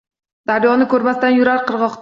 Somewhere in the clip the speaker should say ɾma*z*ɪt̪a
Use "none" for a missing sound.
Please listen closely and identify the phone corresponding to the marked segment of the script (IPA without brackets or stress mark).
s